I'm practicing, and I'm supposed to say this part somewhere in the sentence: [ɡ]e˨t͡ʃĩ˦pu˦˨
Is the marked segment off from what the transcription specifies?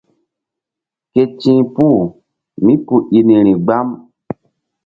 yes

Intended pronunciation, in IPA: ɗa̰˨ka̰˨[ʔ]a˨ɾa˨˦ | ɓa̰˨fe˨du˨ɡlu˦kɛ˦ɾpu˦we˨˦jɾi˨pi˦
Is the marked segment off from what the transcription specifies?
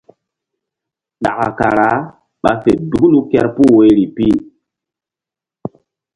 yes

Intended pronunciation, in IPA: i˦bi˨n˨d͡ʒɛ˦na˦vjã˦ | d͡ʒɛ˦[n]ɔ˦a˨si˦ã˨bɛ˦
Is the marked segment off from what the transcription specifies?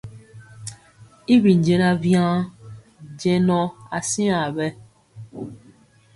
no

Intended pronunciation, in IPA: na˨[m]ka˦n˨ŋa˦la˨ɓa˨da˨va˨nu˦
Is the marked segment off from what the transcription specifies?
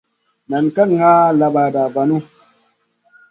yes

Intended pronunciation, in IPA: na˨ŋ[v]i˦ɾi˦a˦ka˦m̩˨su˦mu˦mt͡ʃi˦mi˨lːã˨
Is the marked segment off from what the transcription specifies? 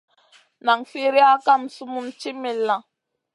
yes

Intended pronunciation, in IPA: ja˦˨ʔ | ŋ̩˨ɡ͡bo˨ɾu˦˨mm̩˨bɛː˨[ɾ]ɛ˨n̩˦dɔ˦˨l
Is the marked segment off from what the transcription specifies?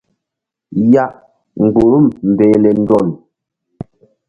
yes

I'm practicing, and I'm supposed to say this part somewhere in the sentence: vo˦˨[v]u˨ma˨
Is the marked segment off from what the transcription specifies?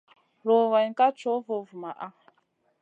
no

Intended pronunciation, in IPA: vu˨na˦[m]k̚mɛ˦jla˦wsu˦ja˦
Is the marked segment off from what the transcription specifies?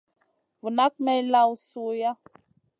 yes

